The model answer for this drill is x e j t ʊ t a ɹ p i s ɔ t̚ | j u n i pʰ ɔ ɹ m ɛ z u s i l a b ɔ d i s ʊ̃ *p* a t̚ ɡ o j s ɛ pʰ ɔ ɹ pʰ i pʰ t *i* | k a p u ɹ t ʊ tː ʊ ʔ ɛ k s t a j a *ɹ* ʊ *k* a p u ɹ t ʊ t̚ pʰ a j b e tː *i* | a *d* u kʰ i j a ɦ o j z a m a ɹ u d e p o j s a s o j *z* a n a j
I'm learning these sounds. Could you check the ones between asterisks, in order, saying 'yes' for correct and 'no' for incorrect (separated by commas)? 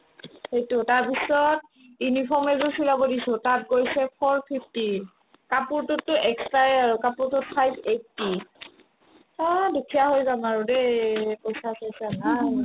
no, yes, yes, yes, yes, yes, no